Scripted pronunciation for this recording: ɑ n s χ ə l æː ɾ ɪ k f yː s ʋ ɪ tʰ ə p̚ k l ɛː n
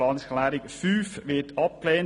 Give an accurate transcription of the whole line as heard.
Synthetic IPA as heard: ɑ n s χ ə l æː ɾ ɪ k f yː f ʋ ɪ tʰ ɑ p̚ k l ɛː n